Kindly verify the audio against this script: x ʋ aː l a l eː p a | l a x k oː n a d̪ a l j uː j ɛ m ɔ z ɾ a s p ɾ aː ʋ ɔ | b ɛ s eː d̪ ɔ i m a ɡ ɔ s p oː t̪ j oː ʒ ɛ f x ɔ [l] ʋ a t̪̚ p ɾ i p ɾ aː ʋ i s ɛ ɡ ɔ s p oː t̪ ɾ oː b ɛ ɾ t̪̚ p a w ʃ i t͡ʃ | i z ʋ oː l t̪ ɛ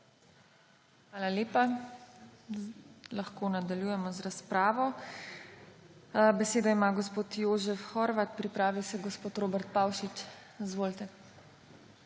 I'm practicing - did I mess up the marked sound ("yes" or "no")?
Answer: yes